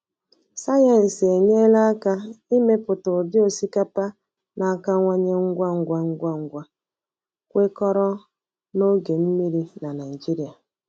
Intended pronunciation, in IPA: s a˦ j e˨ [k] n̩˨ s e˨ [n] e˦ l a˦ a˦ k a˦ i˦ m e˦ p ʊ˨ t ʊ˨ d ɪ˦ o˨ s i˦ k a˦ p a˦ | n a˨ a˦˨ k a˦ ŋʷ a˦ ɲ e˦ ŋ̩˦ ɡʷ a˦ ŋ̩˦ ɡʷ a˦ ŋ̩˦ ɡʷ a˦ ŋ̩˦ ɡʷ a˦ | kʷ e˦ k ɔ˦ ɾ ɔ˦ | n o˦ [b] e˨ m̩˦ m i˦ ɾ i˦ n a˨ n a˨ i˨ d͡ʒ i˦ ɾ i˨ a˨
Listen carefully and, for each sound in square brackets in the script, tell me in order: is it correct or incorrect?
incorrect, incorrect, incorrect

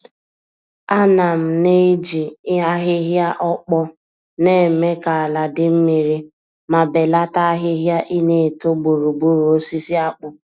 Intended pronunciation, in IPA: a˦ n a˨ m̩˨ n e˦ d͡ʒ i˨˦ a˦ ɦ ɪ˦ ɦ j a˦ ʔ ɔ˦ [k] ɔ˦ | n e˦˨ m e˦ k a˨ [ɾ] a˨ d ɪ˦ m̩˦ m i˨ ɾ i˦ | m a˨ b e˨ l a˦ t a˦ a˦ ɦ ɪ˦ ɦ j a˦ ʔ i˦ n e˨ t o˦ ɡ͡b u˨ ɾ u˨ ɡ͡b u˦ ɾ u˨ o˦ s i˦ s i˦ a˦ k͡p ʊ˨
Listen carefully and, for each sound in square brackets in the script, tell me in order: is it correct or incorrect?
incorrect, incorrect

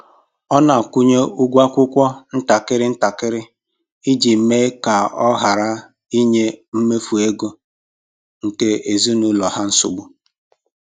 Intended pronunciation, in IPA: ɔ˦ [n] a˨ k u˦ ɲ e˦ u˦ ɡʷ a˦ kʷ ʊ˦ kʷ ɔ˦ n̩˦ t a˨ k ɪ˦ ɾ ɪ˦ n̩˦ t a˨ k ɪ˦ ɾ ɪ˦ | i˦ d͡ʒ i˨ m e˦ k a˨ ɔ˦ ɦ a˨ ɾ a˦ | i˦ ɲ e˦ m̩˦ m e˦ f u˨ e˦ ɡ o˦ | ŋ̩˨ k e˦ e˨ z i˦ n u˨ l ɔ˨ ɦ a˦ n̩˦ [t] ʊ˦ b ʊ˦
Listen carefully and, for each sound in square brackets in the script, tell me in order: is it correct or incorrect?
correct, incorrect

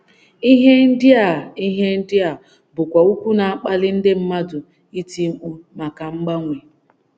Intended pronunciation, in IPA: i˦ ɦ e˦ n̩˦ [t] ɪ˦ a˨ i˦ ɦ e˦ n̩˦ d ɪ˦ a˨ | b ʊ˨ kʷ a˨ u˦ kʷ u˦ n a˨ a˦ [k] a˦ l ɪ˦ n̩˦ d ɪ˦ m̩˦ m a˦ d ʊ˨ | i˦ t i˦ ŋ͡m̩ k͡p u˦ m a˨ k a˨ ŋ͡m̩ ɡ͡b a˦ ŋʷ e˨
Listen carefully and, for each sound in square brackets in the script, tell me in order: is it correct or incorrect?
incorrect, incorrect

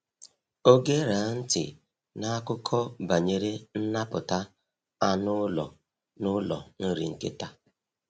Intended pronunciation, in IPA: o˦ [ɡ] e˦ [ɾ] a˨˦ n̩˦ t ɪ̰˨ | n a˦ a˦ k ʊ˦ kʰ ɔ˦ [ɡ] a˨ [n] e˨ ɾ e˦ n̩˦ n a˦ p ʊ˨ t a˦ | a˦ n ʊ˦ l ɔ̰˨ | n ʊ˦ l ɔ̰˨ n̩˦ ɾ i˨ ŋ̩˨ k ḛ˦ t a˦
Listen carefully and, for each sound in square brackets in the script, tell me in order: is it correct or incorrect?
correct, correct, incorrect, incorrect

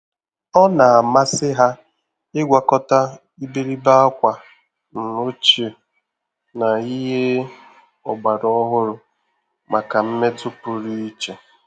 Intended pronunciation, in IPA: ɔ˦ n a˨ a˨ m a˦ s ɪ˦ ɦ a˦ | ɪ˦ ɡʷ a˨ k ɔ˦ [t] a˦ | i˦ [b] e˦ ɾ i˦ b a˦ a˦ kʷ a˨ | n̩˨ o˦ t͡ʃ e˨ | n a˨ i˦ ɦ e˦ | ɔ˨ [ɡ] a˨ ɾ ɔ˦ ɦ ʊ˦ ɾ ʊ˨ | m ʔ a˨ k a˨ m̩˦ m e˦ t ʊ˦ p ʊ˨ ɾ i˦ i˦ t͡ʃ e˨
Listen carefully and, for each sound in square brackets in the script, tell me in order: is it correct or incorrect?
correct, correct, incorrect

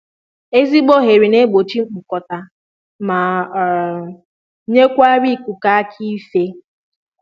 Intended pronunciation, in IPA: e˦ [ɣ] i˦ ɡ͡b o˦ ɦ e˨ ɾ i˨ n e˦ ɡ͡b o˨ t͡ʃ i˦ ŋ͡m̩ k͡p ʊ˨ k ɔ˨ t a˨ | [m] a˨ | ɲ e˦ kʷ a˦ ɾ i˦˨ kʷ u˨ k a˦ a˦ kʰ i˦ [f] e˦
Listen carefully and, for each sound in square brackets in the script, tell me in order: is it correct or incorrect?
incorrect, correct, correct

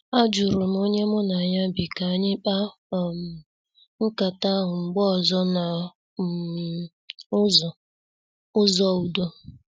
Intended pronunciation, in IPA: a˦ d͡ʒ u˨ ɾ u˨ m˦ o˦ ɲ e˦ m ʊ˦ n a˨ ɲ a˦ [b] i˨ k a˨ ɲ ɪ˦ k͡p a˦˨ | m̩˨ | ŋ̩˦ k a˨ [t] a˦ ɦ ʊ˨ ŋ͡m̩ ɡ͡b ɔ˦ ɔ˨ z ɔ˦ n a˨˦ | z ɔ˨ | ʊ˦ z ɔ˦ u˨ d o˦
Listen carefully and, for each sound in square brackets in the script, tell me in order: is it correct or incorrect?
correct, correct

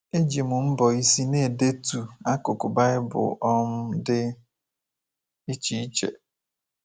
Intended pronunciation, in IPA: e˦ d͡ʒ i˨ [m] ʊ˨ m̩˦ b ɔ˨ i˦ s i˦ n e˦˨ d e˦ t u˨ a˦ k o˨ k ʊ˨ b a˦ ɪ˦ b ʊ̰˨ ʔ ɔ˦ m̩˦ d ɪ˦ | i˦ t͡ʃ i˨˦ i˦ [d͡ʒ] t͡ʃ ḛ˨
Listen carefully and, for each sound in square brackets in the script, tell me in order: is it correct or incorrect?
correct, incorrect

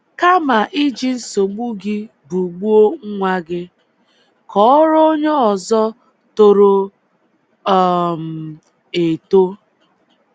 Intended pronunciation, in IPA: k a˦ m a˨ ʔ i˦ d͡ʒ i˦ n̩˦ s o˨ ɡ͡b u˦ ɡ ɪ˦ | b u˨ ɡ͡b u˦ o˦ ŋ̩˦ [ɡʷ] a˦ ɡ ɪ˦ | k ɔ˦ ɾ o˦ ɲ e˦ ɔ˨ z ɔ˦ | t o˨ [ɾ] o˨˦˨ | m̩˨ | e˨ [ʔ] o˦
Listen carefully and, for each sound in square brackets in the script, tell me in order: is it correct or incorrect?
incorrect, correct, incorrect

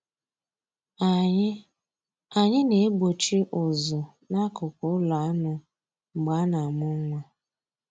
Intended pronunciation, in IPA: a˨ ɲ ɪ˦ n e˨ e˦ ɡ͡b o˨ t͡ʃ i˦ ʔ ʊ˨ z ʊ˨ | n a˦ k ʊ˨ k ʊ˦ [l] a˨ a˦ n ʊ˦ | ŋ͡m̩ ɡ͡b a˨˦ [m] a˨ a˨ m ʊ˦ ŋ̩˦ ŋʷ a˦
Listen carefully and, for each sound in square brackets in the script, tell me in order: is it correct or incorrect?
correct, incorrect

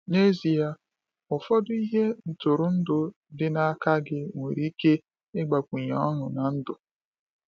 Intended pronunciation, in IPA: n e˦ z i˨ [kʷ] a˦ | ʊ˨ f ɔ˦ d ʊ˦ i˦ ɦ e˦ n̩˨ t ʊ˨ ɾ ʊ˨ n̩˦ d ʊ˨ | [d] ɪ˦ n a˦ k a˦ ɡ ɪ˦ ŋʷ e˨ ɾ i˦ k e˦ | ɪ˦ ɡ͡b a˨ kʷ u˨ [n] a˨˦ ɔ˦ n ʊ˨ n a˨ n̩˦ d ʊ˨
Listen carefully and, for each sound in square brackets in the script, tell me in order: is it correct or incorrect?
incorrect, correct, incorrect

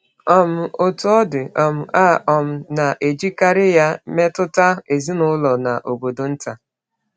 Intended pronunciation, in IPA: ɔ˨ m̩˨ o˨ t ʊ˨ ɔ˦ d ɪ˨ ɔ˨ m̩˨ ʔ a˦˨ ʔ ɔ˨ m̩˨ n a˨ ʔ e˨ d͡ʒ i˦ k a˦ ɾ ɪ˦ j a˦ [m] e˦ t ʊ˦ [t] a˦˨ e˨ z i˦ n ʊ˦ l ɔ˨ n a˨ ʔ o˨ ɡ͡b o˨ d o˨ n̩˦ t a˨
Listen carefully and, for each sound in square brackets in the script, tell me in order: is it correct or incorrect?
correct, correct

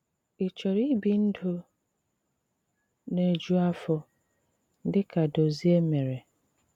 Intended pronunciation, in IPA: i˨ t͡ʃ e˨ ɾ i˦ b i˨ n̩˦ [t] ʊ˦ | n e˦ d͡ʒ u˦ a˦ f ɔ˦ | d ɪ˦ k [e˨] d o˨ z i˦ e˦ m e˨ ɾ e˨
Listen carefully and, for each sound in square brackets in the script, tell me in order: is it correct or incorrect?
incorrect, incorrect

